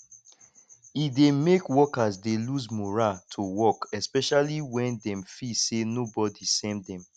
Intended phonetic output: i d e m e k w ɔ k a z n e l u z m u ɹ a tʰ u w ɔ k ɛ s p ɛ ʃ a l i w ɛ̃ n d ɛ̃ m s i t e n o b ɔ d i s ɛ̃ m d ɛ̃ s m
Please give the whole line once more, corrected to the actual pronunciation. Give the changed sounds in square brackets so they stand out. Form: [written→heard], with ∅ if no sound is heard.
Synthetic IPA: i d e m e k w ɔ k a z [n→d] e l u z m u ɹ a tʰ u w ɔ k ɛ s p ɛ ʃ a l i w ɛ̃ n d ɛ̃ m [s→f] i [t→s] e n o b ɔ d i s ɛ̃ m d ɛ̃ [s→∅] m